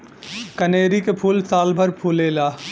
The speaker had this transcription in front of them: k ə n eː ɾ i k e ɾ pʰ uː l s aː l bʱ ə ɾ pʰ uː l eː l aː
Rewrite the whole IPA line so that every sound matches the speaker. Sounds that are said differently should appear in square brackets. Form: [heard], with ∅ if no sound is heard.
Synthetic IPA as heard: k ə n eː ɾ i k e [∅] pʰ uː l s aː l bʱ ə ɾ pʰ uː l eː l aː